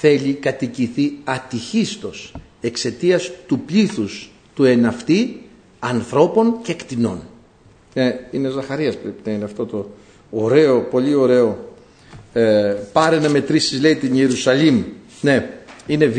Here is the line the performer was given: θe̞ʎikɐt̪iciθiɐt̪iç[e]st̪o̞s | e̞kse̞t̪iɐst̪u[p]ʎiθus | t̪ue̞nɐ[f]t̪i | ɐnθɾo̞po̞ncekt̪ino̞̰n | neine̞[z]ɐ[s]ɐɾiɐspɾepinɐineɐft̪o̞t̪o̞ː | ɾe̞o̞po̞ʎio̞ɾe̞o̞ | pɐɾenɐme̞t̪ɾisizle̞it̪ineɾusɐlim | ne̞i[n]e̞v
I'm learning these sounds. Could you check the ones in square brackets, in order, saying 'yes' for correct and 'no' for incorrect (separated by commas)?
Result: no, yes, yes, yes, no, yes